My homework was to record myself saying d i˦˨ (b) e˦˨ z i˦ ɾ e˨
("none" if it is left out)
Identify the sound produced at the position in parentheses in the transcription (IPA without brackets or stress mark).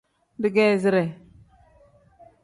ɡ